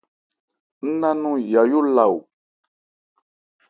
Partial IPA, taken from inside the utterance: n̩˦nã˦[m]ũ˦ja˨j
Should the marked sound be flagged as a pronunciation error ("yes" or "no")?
yes